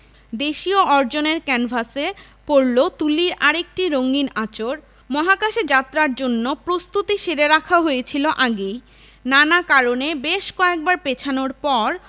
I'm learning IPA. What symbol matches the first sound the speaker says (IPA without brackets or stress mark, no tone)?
d̪